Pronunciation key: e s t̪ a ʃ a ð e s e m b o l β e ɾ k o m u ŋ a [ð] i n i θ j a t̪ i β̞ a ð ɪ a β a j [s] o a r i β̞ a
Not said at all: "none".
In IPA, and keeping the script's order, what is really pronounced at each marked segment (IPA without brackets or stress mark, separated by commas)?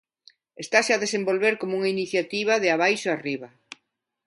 none, ʃ